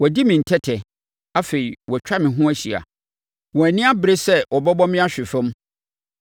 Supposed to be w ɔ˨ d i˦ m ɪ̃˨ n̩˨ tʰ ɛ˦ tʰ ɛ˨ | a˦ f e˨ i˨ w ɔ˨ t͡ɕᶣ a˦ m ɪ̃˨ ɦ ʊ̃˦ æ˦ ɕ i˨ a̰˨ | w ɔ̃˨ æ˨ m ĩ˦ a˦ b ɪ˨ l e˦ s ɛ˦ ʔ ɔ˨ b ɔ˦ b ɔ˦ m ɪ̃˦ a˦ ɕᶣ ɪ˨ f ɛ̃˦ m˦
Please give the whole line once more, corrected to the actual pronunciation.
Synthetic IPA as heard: w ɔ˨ d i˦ m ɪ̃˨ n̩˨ tʰ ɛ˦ tʰ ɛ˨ | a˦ f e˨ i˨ w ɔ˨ t͡ɕᶣ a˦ m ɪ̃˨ ɦ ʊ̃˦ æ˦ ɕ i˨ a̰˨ | w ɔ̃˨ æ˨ n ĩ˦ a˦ b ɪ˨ ɾ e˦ s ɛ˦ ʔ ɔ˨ b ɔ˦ b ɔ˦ m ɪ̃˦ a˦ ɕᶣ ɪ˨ f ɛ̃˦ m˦